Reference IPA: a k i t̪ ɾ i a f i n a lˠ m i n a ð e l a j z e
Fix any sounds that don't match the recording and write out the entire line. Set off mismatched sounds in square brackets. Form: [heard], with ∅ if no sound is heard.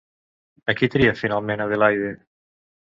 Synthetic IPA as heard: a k i t̪ ɾ i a f i n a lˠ m [e] n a ð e l a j [ð] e

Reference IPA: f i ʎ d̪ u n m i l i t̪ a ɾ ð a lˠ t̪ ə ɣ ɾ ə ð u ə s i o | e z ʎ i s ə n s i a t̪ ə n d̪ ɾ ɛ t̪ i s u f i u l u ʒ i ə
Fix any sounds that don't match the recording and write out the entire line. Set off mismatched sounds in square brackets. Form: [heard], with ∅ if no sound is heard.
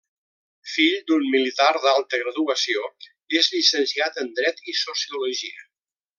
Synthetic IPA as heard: f i ʎ d̪ u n m i l i t̪ a ɾ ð a lˠ t̪ ə ɣ ɾ ə ð u ə s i o | e z ʎ i s ə n s i a t̪ ə n d̪ ɾ ɛ t̪ i s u [s] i u l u ʒ i ə

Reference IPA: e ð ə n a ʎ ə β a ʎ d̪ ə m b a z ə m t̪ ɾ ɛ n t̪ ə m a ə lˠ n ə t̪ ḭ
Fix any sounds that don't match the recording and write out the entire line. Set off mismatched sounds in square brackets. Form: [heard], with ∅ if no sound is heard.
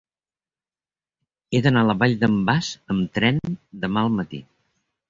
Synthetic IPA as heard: e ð ə n a [l] ə β a ʎ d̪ ə m b a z ə m t̪ ɾ ɛ n [d̪] ə m a ə lˠ [m] ə t̪ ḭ

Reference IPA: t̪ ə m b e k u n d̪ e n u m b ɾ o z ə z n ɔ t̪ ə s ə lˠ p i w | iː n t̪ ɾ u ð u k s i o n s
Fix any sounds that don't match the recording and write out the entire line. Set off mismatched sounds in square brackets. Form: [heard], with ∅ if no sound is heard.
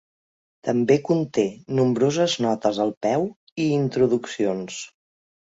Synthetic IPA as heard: t̪ ə m b e k u n [t̪] e n u m b ɾ o z ə z n ɔ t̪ ə [z] ə lˠ p [ɛ] w | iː n t̪ ɾ u ð u k s i o n s

